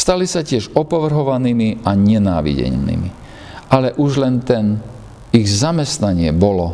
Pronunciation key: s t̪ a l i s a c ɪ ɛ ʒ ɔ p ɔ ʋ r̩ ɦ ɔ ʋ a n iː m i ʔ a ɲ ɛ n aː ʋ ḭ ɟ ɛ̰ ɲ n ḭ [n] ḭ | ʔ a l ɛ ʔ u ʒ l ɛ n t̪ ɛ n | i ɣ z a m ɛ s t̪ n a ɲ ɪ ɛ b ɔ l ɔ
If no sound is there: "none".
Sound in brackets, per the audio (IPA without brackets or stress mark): m